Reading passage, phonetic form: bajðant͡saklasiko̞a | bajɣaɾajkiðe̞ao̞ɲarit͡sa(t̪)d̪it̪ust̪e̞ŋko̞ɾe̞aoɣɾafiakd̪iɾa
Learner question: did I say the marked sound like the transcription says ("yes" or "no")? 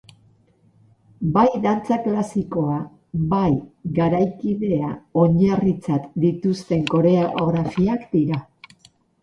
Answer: yes